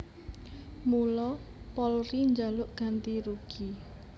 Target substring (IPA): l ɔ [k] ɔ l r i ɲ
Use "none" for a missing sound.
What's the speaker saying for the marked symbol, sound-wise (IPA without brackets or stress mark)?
p